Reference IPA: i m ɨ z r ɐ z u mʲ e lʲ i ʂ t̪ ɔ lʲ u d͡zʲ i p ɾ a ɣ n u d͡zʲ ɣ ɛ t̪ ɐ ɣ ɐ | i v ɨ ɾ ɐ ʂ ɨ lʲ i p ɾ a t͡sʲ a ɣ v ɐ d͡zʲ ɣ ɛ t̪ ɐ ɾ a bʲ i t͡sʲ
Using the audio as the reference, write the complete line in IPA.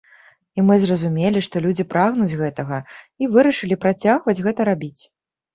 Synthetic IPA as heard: i m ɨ z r ɐ z u mʲ e lʲ i ʂ t̪ ɔ lʲ u d͡zʲ i p ɾ a ɣ n u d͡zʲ ɣ ɛ t̪ ɐ ɣ ɐ | i v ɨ ɾ ɐ ʂ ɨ lʲ i p ɾ a t͡sʲ a ɣ v ɐ d͡zʲ ɣ ɛ t̪ ɐ ɾ a bʲ i t͡sʲ